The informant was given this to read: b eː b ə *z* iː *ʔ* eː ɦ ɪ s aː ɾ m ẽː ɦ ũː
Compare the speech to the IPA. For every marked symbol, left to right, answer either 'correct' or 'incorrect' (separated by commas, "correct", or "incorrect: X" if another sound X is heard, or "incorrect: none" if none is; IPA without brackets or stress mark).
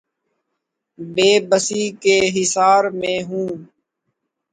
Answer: incorrect: s, incorrect: k